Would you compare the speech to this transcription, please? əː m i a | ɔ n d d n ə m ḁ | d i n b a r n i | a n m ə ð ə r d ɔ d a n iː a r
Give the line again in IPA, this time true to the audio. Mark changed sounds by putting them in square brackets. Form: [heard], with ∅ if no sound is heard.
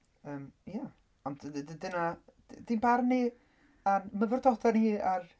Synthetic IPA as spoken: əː m [j] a | ɔ n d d [d] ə [n] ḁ | d i n b a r n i | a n m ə [v] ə r d ɔ d a n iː a r